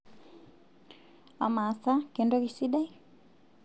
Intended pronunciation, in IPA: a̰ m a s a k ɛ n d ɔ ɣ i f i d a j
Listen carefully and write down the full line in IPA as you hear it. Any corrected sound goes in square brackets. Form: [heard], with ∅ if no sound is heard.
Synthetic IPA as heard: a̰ m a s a k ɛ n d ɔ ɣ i [s] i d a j

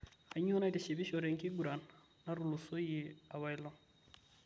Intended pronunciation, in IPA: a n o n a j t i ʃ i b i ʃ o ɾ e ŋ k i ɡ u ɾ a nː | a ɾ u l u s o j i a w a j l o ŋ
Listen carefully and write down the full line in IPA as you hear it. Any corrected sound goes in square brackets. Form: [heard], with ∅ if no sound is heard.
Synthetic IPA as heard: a [ɲ] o n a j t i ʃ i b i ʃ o ɾ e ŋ k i ɡ u ɾ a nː | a ɾ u l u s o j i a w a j l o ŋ

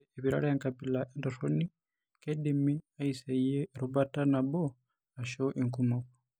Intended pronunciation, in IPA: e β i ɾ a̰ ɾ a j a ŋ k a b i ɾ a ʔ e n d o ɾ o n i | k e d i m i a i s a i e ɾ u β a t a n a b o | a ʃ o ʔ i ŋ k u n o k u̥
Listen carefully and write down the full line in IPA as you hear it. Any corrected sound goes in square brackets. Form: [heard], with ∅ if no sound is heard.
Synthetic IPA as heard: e β i ɾ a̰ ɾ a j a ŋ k a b i [l] a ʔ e n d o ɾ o n i | k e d i m i a i s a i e ɾ u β a t a n a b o | a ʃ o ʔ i ŋ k u [m] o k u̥

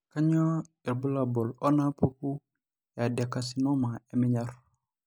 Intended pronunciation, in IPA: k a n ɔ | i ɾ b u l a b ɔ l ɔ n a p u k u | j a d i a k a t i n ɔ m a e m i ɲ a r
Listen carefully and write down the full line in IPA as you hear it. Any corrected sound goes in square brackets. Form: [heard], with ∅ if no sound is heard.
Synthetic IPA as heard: k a [ɲ] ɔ | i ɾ b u l a b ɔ l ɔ n a p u k u | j a d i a k a [s] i n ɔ m a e m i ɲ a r

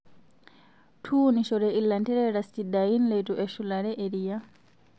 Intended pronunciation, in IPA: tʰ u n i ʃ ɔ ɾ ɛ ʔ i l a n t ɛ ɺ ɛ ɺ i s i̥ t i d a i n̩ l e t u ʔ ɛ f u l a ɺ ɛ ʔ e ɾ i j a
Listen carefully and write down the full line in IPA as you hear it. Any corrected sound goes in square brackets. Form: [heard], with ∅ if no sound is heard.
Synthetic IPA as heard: tʰ u n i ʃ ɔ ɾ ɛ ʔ i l a n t ɛ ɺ ɛ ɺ [a] s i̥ t i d a i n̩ l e t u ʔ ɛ [ʃ] u l a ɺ ɛ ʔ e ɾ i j a

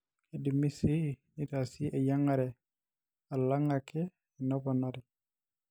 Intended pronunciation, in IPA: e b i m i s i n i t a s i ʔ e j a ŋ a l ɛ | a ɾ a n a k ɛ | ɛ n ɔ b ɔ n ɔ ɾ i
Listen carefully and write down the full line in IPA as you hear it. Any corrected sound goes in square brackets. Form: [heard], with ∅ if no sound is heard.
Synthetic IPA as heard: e [d] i m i s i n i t a s i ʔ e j a ŋ a [ɾ] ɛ | a [l] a [ŋ] a k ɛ | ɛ n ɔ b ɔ n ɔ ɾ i

